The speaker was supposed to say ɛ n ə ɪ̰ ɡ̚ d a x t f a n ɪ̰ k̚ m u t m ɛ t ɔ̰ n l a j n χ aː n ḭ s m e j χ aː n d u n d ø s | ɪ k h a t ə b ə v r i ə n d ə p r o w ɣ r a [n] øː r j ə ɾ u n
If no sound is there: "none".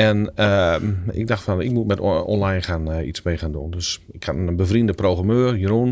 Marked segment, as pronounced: m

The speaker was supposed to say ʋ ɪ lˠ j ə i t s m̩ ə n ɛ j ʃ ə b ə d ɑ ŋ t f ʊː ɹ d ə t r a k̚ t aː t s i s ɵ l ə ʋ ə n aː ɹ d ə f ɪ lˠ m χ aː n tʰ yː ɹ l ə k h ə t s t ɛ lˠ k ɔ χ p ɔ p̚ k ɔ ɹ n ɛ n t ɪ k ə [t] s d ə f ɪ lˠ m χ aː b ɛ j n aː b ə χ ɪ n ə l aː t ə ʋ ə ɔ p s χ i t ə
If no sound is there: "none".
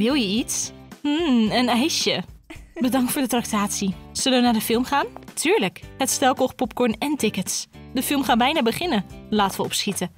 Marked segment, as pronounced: t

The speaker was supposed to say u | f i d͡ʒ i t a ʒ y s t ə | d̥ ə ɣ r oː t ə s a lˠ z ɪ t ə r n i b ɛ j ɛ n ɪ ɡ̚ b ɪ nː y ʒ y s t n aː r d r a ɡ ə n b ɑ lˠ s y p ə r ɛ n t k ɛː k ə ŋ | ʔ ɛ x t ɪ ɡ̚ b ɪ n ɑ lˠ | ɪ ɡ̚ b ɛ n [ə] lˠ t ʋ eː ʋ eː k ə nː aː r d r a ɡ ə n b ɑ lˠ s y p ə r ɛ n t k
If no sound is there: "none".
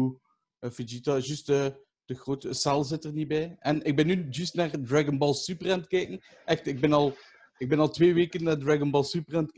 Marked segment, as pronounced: ɑ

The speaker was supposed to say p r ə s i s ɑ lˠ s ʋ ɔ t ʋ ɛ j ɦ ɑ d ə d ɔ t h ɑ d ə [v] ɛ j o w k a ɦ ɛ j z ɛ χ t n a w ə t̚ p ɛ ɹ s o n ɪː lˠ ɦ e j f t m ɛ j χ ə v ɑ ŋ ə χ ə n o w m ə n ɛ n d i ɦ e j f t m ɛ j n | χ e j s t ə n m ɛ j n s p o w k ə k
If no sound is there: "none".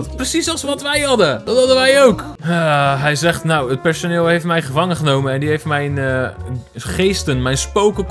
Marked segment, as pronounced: ʋ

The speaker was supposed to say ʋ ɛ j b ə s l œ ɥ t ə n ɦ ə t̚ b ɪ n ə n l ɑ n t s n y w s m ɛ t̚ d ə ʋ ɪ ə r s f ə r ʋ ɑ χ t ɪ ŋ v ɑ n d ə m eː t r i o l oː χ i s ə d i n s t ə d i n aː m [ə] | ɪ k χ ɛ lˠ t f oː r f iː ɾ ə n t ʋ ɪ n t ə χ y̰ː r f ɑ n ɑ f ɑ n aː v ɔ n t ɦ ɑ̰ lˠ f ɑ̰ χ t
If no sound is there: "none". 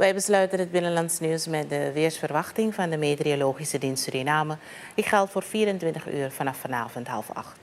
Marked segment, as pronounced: ə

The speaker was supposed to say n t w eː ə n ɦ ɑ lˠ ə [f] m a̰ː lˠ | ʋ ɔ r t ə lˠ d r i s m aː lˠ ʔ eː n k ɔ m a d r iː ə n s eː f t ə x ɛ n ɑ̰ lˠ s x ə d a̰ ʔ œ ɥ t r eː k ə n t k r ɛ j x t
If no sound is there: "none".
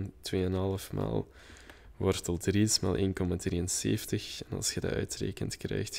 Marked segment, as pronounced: f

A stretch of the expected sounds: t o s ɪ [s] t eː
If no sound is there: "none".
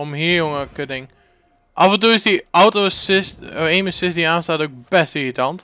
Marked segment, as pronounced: s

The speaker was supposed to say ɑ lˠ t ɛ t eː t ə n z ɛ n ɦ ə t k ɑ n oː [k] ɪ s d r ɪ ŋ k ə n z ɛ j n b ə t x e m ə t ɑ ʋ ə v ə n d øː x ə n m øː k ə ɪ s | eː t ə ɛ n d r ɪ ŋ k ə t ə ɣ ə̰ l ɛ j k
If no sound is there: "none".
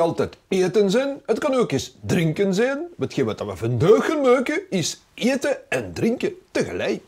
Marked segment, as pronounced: k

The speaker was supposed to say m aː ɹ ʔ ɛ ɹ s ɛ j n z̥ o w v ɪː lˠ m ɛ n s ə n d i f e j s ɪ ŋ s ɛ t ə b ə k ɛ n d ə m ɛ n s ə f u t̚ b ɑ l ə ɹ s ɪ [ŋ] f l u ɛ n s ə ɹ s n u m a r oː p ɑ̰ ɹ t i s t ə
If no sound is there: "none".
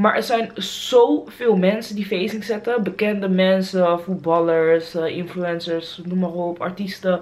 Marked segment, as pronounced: n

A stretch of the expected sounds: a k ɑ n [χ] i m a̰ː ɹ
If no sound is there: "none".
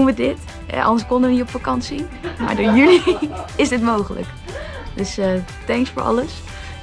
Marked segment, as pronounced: s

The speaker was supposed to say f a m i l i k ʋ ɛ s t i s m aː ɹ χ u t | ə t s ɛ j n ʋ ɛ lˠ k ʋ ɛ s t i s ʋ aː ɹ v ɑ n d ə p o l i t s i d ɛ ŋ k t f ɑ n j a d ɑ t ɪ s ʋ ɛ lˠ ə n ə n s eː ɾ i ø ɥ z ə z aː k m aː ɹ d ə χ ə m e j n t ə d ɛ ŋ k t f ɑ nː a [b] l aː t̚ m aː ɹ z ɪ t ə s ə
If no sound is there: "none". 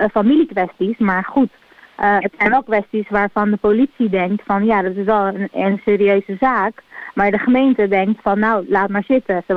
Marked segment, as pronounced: w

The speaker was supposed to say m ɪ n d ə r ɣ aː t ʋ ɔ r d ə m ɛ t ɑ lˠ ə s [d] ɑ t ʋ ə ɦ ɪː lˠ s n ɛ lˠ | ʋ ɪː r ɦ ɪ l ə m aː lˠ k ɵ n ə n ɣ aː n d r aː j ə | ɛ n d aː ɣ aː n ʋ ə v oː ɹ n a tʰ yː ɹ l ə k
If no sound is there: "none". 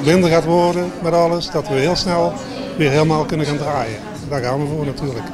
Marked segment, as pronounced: d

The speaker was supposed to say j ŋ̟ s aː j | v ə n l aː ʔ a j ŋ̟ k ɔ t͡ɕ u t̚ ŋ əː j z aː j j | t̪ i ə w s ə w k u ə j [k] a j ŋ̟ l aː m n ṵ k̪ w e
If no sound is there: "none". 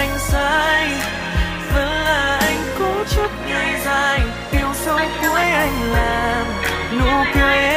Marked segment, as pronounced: ʔ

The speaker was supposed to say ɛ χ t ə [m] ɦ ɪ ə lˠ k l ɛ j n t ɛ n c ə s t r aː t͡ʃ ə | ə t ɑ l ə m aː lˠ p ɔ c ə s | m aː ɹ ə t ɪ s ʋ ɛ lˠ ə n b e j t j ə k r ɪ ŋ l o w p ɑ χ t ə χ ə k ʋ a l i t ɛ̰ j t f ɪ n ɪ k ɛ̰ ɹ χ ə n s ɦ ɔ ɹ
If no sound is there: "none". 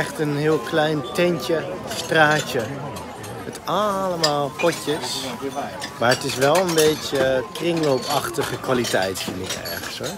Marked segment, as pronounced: n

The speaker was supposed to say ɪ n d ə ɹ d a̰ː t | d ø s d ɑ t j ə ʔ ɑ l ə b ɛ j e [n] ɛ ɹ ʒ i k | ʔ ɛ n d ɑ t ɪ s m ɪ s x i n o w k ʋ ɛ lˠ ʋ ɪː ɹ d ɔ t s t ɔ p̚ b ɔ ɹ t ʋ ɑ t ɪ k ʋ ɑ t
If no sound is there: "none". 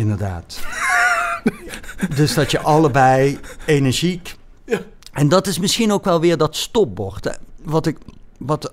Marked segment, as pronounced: n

